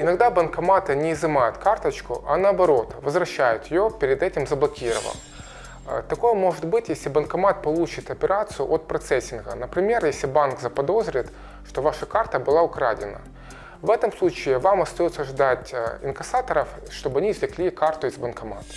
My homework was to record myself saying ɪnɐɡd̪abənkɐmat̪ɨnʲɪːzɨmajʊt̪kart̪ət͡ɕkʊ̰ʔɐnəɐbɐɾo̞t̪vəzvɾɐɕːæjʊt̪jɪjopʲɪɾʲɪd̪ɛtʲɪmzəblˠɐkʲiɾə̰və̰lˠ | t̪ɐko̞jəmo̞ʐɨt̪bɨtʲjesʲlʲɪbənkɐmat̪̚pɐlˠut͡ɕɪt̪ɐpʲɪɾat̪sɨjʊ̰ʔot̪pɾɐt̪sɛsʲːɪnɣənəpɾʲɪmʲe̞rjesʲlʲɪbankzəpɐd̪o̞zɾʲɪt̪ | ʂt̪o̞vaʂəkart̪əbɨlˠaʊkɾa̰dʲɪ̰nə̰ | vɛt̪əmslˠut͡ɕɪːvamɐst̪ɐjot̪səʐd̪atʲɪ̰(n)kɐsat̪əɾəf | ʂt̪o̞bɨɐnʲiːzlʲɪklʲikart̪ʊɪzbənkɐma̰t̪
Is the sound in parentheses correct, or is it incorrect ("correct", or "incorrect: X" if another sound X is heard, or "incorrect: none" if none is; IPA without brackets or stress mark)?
correct